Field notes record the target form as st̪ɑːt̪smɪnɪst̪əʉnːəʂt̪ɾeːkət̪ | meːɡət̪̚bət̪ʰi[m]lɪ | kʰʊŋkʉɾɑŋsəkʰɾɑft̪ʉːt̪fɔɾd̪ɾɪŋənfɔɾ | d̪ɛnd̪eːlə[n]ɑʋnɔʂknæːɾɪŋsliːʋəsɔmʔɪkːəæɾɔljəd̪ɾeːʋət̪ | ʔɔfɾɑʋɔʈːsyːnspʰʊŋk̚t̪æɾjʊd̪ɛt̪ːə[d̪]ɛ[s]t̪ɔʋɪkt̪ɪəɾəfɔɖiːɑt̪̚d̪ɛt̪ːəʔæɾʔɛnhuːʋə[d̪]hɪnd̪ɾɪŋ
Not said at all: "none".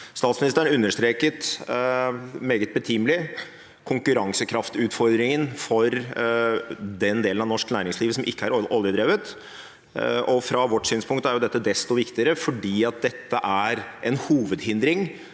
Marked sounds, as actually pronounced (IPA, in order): m, n, d̪, s, d̪

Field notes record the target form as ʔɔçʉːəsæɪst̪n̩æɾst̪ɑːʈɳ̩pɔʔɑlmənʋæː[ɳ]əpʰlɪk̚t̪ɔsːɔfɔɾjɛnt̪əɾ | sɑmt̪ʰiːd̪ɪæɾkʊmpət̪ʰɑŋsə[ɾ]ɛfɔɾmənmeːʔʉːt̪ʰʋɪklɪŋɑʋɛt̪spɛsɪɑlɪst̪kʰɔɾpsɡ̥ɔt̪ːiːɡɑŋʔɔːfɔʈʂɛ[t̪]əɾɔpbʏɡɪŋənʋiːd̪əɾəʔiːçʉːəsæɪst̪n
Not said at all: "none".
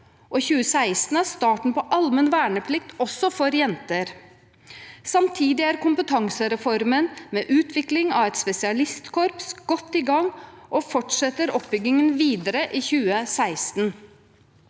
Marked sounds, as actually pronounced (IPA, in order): ɳ, ɾ, t̪

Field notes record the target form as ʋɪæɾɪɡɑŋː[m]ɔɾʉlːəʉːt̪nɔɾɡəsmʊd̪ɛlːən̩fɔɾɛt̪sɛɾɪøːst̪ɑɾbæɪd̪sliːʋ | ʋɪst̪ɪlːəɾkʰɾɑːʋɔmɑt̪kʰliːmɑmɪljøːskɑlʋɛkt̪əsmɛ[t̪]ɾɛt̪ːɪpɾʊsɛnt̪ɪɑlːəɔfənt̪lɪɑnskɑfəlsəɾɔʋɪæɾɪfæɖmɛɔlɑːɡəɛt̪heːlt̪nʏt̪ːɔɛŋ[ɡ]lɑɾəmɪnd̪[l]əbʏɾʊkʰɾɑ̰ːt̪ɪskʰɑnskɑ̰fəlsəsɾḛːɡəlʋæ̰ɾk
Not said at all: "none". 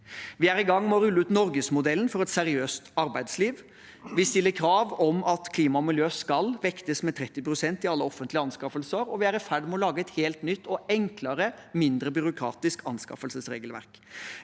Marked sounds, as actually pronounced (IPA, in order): m, t̪ʰ, k, ɾ

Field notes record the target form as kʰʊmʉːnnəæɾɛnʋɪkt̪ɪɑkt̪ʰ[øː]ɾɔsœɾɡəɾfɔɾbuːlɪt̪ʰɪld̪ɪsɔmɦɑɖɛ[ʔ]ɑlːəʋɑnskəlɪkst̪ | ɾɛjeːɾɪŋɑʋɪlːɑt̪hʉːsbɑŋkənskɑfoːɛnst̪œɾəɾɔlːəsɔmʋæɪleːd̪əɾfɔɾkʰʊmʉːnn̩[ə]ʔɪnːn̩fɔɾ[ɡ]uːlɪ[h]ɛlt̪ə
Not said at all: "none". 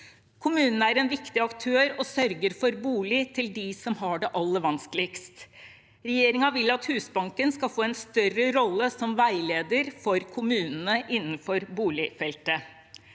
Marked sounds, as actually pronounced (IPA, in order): øː, ʔ, ə, b, f

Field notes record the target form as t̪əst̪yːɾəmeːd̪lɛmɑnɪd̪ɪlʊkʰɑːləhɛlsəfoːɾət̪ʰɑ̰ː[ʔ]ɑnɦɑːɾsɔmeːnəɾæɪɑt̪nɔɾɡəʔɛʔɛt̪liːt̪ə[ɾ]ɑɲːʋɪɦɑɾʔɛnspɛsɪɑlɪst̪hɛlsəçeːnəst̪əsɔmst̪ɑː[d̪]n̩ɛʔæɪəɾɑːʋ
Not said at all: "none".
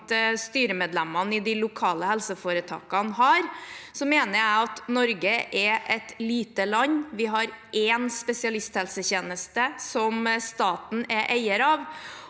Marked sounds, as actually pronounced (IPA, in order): k, l, t̪

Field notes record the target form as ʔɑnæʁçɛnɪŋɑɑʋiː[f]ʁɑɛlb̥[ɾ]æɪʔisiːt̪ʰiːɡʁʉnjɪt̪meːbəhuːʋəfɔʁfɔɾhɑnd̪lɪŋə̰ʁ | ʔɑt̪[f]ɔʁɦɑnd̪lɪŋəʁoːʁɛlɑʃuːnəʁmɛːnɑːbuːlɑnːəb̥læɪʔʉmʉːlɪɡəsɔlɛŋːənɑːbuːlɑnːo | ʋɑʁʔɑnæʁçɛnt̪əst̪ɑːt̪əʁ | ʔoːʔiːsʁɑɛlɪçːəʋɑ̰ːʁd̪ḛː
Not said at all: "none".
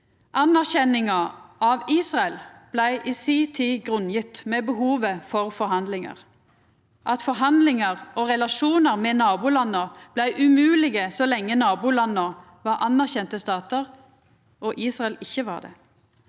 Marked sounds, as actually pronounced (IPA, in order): s, l, f

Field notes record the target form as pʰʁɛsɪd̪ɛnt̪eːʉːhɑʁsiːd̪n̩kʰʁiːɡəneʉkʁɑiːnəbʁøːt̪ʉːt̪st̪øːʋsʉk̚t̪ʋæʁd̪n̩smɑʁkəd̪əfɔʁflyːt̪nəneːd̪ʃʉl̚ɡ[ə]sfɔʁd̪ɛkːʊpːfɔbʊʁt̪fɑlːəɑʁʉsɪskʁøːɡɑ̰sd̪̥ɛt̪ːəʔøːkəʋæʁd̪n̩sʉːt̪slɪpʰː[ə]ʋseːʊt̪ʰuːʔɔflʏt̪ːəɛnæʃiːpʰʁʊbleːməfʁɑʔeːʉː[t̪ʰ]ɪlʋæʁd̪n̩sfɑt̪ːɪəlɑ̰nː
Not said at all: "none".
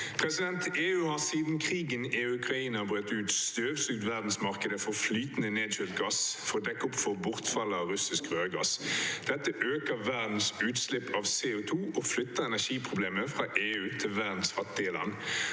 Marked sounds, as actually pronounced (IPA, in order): ɑ, ɑ, t̪ʰ

